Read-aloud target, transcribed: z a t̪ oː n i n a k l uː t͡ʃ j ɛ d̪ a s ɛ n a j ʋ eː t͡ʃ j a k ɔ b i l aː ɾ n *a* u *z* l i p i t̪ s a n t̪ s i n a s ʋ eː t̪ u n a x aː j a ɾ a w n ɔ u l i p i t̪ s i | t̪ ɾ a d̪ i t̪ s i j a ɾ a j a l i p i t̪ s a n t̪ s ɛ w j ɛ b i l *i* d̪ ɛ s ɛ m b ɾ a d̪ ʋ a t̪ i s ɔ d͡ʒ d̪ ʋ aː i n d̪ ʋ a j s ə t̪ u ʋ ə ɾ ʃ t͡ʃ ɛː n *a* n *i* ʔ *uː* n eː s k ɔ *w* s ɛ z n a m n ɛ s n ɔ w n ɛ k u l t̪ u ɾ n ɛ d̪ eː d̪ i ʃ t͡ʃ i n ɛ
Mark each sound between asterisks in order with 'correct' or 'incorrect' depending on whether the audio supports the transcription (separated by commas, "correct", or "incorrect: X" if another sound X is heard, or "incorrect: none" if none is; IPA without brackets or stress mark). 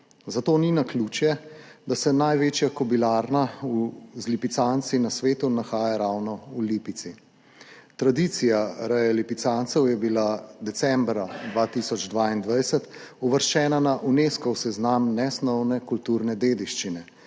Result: correct, correct, incorrect: a, correct, incorrect: a, incorrect: u, correct